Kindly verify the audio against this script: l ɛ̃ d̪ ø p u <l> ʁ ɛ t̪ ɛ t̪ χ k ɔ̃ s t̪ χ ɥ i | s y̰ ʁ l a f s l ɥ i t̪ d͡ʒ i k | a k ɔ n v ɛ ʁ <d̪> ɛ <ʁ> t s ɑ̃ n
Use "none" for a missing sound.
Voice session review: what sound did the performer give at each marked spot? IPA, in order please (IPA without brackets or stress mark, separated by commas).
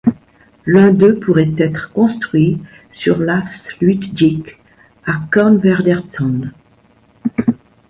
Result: none, d̪, ʁ